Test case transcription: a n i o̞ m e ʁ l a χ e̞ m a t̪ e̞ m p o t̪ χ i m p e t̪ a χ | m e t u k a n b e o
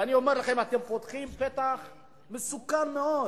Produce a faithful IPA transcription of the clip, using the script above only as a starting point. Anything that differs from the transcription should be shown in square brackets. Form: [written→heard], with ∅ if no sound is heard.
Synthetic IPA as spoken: a n i o̞ m e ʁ l a χ e̞ m a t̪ e̞ m p o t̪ χ i m p e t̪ a χ | m e [t→s] u k a n [b→m] e o

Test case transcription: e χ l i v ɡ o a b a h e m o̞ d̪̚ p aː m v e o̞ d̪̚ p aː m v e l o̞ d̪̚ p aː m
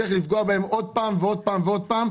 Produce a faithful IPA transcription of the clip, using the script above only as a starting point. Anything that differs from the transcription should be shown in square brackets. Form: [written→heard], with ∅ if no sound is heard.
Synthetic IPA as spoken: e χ l i [v→f] ɡ o a b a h e m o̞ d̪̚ p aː m v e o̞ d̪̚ p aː m v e [l→∅] o̞ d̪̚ p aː m

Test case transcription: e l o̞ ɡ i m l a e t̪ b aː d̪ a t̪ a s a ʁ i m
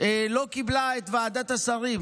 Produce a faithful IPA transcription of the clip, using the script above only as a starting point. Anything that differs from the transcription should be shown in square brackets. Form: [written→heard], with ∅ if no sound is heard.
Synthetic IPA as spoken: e l o̞ [ɡ→k] i [m→b] l a e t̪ [b→v] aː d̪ a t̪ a s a ʁ i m

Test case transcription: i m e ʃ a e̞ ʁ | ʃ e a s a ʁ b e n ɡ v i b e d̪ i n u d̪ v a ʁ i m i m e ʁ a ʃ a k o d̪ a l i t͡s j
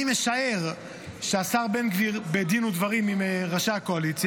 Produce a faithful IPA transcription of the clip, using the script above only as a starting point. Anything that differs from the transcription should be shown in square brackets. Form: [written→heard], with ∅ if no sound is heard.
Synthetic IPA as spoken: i m e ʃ a e̞ ʁ | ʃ e a s a ʁ b e n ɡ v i b e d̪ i n u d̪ v a ʁ i m i m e ʁ a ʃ a k o [d̪→∅] a l i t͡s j

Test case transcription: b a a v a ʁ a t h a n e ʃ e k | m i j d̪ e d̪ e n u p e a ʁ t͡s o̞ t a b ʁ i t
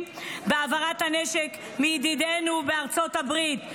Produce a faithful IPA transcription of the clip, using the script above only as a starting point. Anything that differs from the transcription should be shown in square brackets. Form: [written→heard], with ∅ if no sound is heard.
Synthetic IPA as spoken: b [a→e] a v a ʁ a t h a n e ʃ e k | m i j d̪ [e→i] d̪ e n u [p→b] e a ʁ t͡s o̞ t a b ʁ i t

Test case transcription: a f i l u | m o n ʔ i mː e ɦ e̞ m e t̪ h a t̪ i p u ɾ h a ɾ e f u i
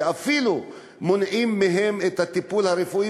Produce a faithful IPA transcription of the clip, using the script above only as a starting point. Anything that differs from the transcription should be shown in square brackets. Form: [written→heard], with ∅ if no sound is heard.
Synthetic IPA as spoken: a f i l u | m o n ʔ i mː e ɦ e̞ m e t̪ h a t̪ i p u [ɾ→l] h a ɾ e f u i

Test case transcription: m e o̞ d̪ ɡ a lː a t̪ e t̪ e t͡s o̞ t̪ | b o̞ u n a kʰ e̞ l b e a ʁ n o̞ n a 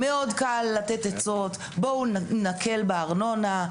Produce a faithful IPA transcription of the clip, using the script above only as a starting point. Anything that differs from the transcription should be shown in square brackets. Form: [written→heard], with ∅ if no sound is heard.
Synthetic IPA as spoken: m e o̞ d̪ [ɡ→k] a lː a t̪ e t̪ e t͡s o̞ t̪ | b o̞ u n a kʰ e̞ l b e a ʁ n o̞ n a

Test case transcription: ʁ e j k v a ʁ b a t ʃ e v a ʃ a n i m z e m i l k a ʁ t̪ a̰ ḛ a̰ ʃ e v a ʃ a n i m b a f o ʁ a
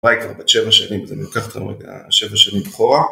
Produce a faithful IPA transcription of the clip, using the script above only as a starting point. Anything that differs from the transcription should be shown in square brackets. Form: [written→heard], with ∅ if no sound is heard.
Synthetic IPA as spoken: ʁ [e→a] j k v a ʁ b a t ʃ e v a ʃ a n i m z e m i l k a [ʁ→χ] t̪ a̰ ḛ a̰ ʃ e v a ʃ a n i m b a [f→χ] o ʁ a

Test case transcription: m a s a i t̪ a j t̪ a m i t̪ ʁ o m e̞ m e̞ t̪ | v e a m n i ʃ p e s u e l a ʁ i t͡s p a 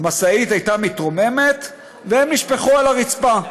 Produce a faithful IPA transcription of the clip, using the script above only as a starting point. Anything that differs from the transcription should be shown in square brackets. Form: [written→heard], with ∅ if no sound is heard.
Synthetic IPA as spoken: m a s a i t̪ a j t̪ a m i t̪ ʁ o m e̞ m e̞ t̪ | v e [a→e] m n i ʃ p e [s→χ] u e l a ʁ i t͡s p a

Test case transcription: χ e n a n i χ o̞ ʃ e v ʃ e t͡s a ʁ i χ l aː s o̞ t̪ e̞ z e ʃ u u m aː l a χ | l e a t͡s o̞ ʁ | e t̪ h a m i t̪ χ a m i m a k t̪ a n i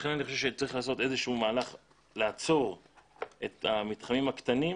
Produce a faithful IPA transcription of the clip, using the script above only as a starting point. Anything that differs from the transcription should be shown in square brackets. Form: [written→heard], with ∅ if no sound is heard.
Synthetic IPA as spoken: χ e n a n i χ o̞ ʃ e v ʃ e t͡s a ʁ i χ l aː s o̞ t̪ e̞ z e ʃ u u m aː l a χ | l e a t͡s o̞ ʁ | e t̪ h a m i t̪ χ a m i m a k t̪ a n i

